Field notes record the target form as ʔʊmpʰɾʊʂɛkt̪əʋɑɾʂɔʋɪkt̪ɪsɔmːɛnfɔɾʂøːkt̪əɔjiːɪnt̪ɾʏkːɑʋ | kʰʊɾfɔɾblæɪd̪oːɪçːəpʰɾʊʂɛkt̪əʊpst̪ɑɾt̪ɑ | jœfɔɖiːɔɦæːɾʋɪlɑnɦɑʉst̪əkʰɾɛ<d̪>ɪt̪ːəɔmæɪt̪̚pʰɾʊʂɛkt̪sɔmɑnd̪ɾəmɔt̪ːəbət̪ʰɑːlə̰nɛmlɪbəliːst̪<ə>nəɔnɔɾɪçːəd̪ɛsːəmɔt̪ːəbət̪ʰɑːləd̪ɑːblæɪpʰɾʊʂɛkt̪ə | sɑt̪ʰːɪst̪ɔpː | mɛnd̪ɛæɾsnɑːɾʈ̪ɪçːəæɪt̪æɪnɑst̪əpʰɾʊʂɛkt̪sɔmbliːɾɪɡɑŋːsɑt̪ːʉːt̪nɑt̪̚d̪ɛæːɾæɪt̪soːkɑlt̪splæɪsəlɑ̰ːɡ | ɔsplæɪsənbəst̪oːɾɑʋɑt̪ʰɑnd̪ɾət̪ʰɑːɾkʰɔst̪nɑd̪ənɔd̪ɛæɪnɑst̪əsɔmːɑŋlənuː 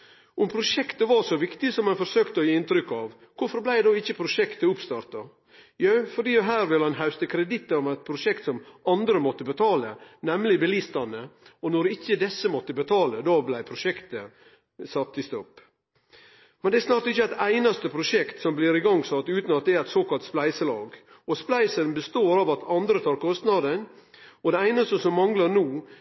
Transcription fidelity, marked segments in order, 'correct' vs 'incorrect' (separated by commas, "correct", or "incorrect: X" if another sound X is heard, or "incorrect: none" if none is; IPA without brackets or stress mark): correct, incorrect: ɑ